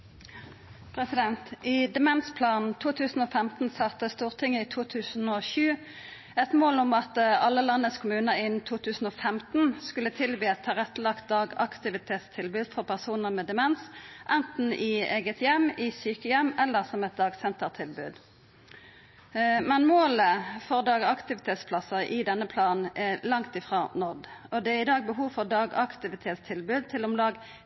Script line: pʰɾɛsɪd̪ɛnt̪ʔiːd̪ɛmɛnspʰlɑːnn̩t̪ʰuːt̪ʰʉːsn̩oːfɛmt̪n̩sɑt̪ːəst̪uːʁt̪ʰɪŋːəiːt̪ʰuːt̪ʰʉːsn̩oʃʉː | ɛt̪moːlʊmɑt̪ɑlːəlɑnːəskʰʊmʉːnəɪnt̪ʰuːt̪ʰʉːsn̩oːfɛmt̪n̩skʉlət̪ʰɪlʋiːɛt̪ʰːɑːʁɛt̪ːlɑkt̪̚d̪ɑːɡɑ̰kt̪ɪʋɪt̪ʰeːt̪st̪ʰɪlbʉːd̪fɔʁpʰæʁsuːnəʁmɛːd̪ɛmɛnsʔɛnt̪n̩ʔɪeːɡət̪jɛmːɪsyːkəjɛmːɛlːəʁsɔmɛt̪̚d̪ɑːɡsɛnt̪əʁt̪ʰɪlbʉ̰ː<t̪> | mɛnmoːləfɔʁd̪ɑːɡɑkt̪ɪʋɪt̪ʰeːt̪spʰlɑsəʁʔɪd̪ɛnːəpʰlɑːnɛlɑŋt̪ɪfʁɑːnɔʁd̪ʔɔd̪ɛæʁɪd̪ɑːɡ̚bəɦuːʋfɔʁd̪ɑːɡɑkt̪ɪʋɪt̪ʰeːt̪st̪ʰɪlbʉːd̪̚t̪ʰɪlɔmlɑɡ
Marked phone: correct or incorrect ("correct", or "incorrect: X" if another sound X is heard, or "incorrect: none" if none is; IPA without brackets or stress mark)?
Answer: incorrect: d̪